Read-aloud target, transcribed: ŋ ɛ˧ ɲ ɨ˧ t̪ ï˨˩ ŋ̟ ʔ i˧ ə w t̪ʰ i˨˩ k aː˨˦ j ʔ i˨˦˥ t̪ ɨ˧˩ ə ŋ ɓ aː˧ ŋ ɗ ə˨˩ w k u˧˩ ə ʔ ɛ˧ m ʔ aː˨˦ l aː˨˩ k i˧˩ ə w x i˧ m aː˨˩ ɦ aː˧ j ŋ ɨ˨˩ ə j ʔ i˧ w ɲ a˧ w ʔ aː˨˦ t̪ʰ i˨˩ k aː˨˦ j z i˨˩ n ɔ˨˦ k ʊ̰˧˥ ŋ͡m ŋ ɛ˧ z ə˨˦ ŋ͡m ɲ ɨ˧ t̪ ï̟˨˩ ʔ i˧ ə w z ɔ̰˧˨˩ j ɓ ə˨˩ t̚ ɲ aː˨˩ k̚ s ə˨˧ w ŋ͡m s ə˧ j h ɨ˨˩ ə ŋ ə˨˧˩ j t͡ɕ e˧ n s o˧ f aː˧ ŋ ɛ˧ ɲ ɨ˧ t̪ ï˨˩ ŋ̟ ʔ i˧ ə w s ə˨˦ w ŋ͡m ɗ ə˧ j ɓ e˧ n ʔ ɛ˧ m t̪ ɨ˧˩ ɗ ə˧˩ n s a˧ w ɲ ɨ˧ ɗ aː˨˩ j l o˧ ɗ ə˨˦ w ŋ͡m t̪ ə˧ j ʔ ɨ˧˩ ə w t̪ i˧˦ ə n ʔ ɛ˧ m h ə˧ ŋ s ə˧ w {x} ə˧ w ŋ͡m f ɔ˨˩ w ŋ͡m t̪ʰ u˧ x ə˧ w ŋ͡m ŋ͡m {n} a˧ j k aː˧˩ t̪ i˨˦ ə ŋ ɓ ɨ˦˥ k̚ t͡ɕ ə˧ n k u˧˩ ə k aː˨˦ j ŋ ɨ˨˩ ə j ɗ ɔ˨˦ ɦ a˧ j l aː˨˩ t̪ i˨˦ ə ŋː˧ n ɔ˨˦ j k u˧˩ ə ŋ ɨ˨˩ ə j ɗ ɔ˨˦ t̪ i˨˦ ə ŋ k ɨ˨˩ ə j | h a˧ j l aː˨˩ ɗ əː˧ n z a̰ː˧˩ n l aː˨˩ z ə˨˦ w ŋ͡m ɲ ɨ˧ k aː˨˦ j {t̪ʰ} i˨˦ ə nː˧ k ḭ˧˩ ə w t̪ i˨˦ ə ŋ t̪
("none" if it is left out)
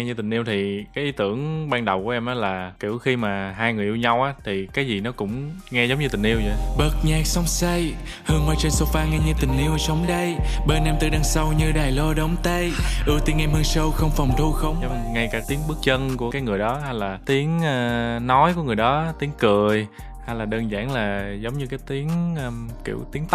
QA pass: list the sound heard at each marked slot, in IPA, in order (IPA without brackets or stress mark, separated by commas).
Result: x, ŋ, t̪